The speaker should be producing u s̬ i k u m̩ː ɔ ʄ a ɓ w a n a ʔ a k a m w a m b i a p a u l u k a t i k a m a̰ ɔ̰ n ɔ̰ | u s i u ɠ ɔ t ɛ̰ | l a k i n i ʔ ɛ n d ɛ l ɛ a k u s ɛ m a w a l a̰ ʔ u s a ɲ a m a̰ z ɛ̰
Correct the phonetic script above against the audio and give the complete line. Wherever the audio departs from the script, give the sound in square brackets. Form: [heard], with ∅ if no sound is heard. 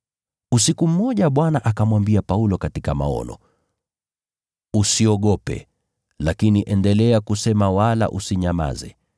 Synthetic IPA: u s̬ i k u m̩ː ɔ ʄ a ɓ w a n a ʔ a k a m w a m b i a p a u l [ɔ] k a t i k a m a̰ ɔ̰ n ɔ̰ | u s i [ɔ] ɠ ɔ [p] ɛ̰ | l a k i n i ʔ ɛ n d ɛ l ɛ a k u s ɛ m a w a l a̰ ʔ u s [i] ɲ a m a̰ z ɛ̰